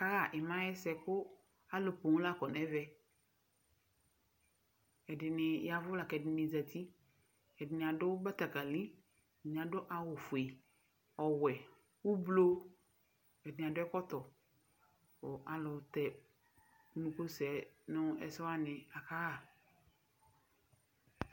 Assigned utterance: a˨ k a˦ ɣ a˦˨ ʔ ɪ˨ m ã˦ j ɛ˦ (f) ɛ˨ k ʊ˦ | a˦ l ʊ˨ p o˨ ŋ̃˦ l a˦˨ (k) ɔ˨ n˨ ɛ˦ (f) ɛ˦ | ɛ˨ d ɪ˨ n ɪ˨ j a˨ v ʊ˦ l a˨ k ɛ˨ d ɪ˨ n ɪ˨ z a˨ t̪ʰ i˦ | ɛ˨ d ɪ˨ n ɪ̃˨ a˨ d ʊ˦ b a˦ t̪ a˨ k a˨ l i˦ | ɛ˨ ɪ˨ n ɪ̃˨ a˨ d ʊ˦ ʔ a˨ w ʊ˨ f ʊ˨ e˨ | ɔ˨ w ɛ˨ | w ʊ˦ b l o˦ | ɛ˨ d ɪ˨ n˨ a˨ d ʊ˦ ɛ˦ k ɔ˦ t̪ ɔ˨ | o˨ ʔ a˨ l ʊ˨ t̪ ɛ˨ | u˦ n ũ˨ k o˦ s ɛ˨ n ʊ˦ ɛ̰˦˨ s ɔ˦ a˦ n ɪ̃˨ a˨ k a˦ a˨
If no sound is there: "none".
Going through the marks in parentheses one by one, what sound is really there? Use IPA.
s, k, v

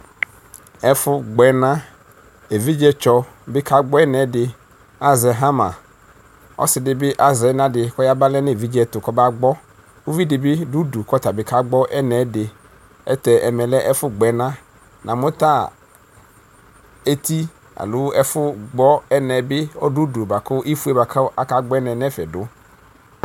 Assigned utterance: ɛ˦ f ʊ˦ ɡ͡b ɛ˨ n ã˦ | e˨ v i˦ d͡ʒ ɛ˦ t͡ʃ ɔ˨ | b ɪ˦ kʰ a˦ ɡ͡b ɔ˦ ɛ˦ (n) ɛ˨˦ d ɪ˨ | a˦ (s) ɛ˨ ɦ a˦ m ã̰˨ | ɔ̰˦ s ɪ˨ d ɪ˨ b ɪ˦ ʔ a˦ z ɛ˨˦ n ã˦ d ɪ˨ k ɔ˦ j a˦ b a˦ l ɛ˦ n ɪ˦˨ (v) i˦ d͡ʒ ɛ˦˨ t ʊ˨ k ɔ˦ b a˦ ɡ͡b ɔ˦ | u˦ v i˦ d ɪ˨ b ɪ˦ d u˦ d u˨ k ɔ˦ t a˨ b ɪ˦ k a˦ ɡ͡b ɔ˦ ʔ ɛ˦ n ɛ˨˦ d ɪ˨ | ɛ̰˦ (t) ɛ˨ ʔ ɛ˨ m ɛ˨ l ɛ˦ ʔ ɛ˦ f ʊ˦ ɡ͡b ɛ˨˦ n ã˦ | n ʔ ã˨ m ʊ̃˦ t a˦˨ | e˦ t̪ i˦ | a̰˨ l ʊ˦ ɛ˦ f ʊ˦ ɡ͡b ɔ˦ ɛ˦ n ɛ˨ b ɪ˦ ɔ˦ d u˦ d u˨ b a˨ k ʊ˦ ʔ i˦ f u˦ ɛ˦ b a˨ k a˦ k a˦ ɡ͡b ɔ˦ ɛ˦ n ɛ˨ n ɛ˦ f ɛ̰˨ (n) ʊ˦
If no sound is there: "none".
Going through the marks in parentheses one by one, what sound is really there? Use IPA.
n, z, v, t, d

